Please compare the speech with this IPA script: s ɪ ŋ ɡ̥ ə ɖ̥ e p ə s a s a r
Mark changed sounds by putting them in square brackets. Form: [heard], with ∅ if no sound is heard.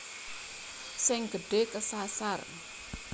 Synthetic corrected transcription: s ɪ ŋ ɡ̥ ə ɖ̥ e [k] ə s a s a r